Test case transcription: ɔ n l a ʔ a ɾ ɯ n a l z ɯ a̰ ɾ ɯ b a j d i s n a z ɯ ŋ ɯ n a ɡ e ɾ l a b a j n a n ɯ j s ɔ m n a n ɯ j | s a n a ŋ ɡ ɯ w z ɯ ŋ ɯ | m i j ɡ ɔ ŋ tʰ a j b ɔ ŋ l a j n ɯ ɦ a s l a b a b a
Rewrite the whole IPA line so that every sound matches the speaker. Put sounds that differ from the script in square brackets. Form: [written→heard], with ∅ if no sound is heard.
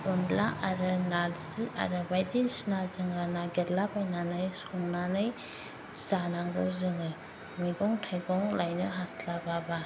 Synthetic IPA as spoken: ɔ n l a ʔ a ɾ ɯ n a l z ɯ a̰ ɾ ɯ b a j d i s n a z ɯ ŋ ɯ n a ɡ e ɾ l a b a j n a n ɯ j s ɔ [m→ŋ] n a n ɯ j | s a n a ŋ ɡ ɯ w z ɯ ŋ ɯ | m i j ɡ ɔ ŋ tʰ a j [b→ɡ] ɔ ŋ l a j n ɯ ɦ a s l a b a b a

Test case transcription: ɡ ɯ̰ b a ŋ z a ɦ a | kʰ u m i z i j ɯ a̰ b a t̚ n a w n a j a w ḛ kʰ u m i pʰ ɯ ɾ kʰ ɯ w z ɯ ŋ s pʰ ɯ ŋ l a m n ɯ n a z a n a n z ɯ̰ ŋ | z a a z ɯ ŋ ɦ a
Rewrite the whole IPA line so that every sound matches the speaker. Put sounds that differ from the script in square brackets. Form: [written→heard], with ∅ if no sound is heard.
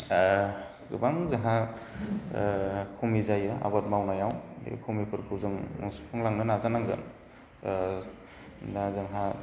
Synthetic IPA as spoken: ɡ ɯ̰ b a ŋ z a ɦ a | kʰ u m i z [i→a] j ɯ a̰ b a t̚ [n→m] a w n a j a w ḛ kʰ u m i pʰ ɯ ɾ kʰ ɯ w z ɯ ŋ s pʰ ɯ ŋ l a [m→ŋ] n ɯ n a z a n a [n→ŋ] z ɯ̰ [ŋ→n] | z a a z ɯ ŋ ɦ a

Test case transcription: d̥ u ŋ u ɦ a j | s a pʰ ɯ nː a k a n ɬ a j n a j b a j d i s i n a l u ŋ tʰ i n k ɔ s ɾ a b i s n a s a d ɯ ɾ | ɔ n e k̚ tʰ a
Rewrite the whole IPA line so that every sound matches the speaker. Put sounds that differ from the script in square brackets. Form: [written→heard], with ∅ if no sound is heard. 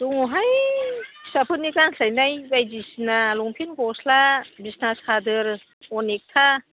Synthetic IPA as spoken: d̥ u ŋ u ɦ a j | s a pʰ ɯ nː [a→i] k a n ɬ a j n a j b a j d i s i n a l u ŋ [tʰ→pʰ] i n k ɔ s [ɾ→l] a b i s n a s a d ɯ ɾ | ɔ n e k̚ tʰ a

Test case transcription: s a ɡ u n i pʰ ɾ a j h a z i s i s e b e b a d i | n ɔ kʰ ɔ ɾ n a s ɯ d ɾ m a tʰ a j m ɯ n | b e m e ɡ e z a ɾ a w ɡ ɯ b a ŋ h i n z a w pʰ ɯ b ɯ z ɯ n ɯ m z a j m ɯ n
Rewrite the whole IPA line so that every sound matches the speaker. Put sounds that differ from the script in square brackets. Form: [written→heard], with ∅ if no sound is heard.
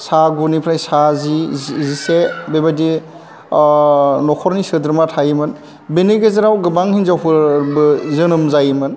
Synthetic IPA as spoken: s a ɡ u n i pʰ ɾ a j [h→s] a z i [s→z] i s e b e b a d i | n ɔ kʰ ɔ ɾ n [a→i] s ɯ d ɾ m a tʰ a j m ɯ n | b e [m→n] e ɡ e z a ɾ a w ɡ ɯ b a ŋ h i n z a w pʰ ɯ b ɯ z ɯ n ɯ m z a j m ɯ n

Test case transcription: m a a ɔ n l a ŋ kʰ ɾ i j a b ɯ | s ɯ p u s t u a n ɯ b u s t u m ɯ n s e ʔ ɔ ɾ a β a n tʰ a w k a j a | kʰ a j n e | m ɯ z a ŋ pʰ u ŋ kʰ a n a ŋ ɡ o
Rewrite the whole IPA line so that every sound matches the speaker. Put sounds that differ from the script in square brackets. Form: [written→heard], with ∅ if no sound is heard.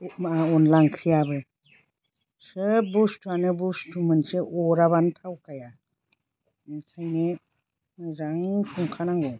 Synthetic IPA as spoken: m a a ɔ n l a ŋ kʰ ɾ i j a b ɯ | s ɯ [p→b] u s t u a n ɯ b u s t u m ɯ n s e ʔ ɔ ɾ a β a n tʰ a w k a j a | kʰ a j n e | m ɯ z a ŋ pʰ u ŋ kʰ a n a ŋ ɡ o

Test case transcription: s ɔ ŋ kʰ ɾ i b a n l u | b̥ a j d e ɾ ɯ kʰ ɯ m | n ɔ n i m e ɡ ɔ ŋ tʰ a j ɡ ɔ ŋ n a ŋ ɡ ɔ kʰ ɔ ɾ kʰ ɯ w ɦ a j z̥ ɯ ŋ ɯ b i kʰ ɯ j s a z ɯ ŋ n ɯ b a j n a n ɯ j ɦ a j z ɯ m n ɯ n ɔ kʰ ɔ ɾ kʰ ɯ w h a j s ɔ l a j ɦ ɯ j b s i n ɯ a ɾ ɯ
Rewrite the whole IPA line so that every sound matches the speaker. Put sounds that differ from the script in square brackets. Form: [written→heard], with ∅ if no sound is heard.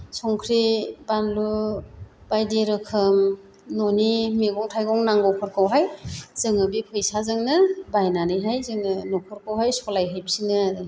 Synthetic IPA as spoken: s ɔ ŋ kʰ ɾ i b a n l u | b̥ a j d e ɾ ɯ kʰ ɯ m | n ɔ n i m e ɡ ɔ ŋ tʰ a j ɡ ɔ ŋ n a ŋ ɡ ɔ kʰ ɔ ɾ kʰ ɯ w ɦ a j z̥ ɯ ŋ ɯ b i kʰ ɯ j s a z ɯ ŋ n ɯ b a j n a n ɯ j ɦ a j z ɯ [m→ŋ] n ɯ n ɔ kʰ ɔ ɾ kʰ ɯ w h a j s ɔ l a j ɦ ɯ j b s i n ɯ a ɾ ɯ

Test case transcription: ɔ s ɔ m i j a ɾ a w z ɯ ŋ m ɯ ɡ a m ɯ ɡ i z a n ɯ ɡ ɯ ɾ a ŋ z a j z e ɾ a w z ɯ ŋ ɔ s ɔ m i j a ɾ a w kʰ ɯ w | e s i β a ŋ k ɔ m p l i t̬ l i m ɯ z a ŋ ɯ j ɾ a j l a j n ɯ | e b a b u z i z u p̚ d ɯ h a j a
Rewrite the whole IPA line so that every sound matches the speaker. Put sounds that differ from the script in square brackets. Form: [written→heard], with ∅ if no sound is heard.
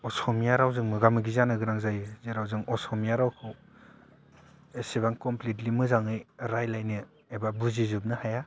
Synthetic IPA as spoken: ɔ s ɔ m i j a ɾ a w z ɯ ŋ m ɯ ɡ a m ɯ ɡ i z a n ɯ ɡ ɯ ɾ a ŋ z a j z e ɾ a w z ɯ ŋ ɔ s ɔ m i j a ɾ a w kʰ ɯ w | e s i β a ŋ k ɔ m p l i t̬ l i m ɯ z a ŋ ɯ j ɾ a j l a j n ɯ | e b a b u z i z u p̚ [d→n] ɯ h a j a

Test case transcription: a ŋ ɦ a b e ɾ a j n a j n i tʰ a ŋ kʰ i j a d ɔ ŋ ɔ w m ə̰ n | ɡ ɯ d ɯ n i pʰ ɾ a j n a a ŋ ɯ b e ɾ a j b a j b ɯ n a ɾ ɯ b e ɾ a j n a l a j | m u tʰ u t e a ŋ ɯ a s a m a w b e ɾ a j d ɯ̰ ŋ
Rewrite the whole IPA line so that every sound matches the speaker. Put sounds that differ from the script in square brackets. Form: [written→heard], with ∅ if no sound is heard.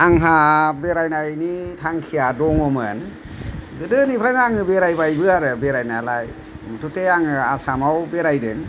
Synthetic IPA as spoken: a ŋ ɦ a b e ɾ a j n a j n i tʰ a ŋ kʰ i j a d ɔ ŋ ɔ [w→∅] m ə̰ n | ɡ ɯ d ɯ n i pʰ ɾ a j n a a ŋ ɯ b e ɾ a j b a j b ɯ [n→∅] a ɾ ɯ b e ɾ a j n a l a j | m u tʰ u t e a ŋ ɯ a s a m a w b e ɾ a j d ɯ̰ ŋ

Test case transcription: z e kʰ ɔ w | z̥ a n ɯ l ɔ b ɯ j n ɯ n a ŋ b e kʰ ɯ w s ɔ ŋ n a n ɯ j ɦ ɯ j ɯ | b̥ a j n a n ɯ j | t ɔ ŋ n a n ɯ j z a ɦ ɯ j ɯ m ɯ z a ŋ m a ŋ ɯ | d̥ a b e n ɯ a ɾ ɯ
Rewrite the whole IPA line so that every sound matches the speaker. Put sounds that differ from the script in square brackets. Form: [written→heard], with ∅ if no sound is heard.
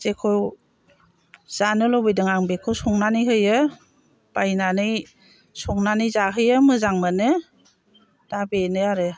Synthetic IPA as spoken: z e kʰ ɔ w | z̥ a n ɯ l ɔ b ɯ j [n→d] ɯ [n→ŋ] a ŋ b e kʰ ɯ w s ɔ ŋ n a n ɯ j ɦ ɯ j ɯ | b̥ a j n a n ɯ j | [t→s] ɔ ŋ n a n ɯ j z a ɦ ɯ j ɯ m ɯ z a ŋ m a [ŋ→n] ɯ | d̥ a b e n ɯ a ɾ ɯ

